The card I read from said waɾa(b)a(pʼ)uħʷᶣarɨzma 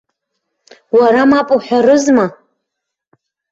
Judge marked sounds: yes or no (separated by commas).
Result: no, yes